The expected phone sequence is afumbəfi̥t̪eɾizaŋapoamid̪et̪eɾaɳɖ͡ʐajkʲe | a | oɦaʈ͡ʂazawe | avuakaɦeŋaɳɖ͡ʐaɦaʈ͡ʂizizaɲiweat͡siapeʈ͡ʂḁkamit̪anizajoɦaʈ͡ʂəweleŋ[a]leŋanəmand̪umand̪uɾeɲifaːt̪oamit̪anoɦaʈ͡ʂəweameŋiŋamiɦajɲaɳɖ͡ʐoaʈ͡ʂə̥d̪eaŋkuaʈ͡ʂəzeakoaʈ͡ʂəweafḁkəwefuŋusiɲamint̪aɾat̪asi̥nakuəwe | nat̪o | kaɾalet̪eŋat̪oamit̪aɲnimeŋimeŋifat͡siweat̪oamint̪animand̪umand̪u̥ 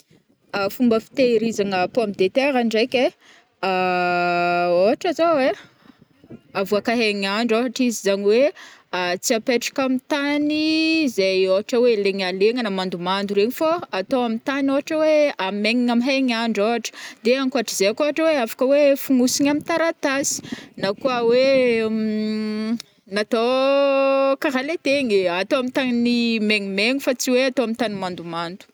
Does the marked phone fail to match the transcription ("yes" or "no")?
no